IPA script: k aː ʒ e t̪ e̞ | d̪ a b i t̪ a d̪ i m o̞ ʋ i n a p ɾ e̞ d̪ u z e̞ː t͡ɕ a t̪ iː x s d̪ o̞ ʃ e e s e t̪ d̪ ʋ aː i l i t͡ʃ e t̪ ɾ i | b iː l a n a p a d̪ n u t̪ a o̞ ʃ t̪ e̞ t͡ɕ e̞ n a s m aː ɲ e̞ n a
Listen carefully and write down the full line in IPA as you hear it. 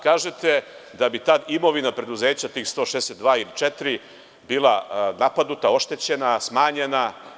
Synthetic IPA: k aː ʒ e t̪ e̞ | d̪ a b i t̪ a d̪ i m o̞ ʋ i n a p ɾ e̞ d̪ u z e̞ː t͡ɕ a t̪ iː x s t̪ o̞ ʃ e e s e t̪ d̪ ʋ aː i l i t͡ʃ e t̪ ɾ i | b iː l a n a p a d̪ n u t̪ a o̞ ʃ t̪ e̞ t͡ɕ e̞ n a s m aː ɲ e̞ n a